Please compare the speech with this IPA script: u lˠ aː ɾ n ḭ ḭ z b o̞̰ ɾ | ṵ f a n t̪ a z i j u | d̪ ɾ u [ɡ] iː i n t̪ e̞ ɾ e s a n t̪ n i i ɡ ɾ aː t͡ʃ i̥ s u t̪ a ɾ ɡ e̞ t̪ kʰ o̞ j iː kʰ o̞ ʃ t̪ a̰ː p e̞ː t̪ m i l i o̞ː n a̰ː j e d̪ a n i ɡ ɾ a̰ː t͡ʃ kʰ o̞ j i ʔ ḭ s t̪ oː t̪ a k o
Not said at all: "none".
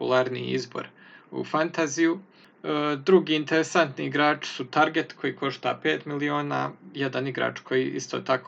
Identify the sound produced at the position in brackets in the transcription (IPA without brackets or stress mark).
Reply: ɡ